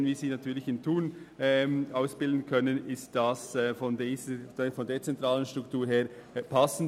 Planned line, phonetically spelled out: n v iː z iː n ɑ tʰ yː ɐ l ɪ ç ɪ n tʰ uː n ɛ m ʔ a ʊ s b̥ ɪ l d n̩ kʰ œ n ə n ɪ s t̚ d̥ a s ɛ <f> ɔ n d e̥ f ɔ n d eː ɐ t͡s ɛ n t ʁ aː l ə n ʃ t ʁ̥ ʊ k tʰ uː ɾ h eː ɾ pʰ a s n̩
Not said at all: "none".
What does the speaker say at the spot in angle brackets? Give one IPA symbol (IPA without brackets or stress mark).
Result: f